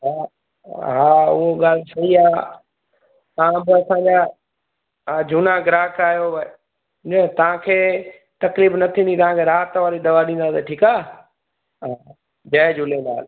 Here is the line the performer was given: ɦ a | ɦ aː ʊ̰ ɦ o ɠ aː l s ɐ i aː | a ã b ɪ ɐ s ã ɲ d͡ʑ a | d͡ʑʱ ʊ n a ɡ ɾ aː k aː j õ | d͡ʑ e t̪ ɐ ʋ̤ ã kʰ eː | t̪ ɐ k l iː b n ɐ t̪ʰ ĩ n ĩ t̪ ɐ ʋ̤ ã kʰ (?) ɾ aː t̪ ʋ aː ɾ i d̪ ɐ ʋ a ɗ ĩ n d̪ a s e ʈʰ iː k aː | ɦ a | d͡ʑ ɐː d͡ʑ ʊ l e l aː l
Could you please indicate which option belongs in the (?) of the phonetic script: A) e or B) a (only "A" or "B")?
A